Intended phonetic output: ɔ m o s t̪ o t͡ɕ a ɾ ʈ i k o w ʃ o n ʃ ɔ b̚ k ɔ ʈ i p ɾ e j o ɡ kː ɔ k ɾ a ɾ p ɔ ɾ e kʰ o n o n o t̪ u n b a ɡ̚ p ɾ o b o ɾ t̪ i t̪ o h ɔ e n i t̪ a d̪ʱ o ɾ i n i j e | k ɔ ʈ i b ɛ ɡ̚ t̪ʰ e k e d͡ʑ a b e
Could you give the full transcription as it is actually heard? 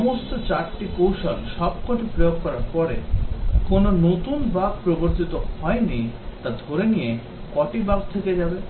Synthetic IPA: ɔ m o s t̪ o t͡ɕ a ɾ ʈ i k o w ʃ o n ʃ ɔ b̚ k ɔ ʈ i p ɾ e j o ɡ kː ɔ ɾ a ɾ p ɔ ɾ e k o n o n o t̪ u n b a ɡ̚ p ɾ o b o ɾ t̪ i t̪ o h ɔ e n i t̪ a d̪ʱ o ɾ e n i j e | k ɔ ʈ i b a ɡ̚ t̪ʰ e k e d͡ʑ a b e